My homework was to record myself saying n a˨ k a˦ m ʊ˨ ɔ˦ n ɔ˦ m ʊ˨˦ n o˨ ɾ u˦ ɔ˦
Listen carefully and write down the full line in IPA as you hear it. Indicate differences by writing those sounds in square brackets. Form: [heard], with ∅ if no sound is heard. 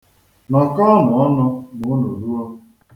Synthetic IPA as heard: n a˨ k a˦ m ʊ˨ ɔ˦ n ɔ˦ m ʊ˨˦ n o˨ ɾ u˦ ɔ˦